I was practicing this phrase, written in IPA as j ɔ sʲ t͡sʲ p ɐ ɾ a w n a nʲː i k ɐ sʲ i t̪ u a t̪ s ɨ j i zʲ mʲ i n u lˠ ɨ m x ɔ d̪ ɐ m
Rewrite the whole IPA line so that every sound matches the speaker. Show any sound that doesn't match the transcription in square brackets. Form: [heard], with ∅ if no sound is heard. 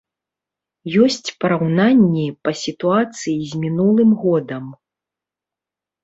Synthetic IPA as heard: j ɔ sʲ t͡sʲ p ɐ ɾ a w n a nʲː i [p] ɐ sʲ i t̪ u a t̪ s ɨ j i zʲ mʲ i n u lˠ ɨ m [ɣ] ɔ d̪ ɐ m